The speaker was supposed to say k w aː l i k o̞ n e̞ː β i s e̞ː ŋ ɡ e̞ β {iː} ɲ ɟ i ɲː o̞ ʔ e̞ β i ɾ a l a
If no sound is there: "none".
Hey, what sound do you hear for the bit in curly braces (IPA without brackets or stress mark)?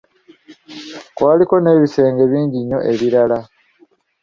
iː